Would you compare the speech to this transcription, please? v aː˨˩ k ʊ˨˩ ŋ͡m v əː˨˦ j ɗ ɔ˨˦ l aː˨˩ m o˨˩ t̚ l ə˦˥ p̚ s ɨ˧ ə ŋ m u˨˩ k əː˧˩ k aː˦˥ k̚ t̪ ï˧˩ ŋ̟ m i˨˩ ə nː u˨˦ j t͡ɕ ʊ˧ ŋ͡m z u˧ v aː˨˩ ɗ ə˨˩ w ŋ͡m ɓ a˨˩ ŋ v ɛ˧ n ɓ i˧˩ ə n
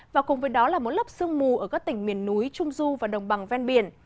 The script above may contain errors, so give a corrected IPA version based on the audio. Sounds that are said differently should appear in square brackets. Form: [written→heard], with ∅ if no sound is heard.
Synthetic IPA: v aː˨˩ k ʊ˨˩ ŋ͡m v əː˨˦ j ɗ ɔ˨˦ l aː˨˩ m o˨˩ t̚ l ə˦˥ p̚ s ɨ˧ ə ŋ m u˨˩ [k→ʔ] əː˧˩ k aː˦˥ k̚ t̪ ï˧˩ ŋ̟ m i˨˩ ə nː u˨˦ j t͡ɕ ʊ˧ ŋ͡m z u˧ v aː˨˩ ɗ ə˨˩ w ŋ͡m ɓ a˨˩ ŋ v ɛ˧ n ɓ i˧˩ ə n